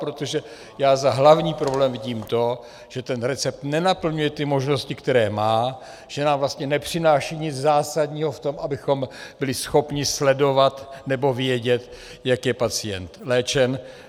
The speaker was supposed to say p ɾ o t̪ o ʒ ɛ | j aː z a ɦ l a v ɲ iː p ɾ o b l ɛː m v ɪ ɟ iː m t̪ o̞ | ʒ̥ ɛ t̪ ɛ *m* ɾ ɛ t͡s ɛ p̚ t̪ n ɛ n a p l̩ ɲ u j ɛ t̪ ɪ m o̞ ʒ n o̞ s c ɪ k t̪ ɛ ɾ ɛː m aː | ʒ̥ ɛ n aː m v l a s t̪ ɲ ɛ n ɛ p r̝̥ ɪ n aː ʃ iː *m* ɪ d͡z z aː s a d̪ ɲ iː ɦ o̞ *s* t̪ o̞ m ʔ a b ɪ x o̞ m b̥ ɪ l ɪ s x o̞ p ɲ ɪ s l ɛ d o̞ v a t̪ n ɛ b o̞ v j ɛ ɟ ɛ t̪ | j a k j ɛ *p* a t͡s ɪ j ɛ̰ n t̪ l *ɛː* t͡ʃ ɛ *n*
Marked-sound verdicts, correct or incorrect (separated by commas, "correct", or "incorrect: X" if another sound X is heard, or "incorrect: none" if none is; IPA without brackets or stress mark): incorrect: n, incorrect: ɲ, incorrect: f, correct, correct, correct